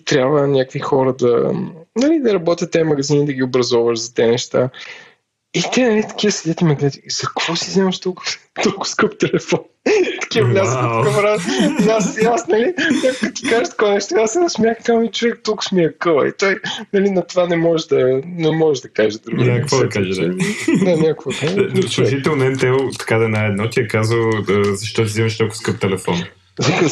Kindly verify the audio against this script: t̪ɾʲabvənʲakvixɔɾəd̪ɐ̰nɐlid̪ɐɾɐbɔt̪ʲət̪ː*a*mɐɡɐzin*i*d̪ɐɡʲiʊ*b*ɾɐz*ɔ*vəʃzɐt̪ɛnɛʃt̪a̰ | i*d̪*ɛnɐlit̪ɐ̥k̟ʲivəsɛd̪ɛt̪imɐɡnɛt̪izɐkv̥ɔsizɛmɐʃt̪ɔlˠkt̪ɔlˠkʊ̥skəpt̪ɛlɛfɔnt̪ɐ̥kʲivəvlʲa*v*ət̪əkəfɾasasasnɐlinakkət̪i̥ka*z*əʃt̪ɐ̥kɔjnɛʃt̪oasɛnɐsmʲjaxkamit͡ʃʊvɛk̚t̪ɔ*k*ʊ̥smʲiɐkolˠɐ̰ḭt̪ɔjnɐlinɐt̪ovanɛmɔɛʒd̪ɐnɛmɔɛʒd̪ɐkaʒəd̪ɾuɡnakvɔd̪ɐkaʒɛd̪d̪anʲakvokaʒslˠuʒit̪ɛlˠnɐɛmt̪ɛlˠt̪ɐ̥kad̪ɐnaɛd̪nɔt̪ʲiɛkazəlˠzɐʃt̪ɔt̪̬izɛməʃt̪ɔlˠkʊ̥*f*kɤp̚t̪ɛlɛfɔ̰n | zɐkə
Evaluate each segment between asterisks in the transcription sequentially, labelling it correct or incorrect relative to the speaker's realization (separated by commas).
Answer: incorrect, correct, correct, correct, incorrect, incorrect, incorrect, correct, incorrect